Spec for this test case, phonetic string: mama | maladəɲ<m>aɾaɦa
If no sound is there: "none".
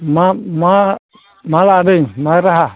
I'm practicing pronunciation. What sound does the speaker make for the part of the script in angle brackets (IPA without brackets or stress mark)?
m